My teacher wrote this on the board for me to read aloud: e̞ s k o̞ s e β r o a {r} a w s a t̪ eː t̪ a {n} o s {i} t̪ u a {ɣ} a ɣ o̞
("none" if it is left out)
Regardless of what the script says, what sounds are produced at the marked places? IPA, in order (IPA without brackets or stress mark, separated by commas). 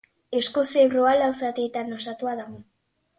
l, n, a, ð